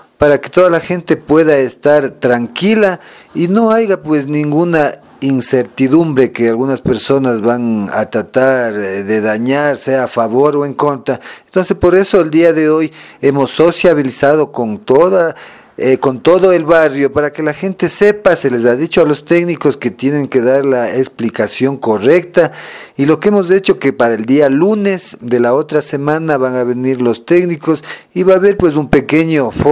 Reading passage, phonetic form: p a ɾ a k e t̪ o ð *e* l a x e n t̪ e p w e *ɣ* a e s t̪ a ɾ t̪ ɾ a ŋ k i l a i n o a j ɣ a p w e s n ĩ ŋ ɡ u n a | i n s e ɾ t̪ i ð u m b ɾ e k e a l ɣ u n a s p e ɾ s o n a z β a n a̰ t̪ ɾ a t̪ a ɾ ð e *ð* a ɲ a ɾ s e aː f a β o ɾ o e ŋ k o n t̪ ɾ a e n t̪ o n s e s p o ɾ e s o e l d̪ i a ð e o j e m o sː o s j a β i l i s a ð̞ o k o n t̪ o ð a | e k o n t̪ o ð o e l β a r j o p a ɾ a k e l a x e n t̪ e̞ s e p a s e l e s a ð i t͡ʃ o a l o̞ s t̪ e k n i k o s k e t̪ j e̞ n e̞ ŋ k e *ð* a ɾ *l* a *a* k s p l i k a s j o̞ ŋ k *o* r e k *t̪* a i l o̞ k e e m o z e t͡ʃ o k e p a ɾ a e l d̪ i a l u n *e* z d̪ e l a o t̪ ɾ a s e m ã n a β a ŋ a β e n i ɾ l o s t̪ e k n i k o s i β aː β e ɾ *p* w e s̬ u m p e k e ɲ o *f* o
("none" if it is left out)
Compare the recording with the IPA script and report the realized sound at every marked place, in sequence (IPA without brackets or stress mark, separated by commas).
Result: a, ð, ð, ð, l, e, o, t̪, e, p, f